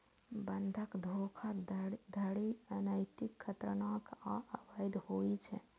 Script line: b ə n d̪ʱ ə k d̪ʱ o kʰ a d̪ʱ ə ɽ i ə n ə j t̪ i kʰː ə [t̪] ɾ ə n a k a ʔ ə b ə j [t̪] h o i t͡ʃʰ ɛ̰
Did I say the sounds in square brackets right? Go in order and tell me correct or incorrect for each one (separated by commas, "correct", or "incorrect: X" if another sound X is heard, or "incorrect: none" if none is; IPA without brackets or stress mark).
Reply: correct, incorrect: d̪